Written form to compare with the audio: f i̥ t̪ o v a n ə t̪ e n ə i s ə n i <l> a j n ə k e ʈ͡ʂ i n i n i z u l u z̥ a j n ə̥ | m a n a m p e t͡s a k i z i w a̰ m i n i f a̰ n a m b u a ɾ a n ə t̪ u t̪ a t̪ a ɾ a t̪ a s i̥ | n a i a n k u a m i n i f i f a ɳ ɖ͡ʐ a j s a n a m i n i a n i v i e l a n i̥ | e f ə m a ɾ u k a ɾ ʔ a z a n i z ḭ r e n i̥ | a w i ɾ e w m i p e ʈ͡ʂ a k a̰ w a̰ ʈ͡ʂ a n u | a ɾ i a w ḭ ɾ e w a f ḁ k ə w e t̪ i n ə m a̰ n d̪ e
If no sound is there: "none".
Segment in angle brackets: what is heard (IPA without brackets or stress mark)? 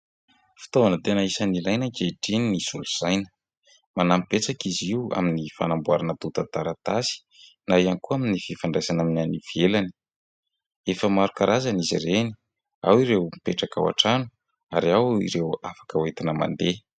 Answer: l